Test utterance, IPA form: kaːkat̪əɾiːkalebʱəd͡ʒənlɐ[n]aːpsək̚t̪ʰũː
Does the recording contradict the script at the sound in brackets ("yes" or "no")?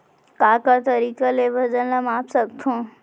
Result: yes